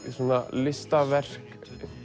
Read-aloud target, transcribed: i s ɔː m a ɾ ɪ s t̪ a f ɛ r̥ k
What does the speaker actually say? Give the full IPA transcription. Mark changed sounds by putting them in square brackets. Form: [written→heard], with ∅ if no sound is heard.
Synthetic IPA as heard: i s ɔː [m→n] a [ɾ→l] ɪ s t̪ a [f→v] ɛ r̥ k